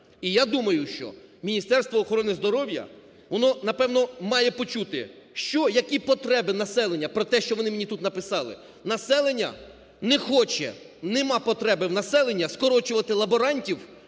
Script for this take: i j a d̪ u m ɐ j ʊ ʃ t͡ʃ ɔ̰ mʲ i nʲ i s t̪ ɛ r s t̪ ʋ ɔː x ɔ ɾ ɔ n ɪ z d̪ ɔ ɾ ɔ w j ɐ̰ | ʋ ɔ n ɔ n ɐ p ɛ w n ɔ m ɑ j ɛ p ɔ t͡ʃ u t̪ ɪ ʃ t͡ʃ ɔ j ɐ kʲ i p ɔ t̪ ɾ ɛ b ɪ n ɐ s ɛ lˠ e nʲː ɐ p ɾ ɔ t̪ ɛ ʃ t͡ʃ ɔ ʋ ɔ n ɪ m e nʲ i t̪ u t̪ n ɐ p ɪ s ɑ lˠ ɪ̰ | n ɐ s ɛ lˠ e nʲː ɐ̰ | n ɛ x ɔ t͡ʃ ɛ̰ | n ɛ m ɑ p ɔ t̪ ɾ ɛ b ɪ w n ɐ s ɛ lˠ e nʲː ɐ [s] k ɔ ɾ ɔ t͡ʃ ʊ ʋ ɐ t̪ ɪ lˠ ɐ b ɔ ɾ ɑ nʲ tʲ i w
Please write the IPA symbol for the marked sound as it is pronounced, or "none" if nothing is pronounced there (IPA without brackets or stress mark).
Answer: s